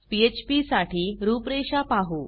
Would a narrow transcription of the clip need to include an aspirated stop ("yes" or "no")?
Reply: no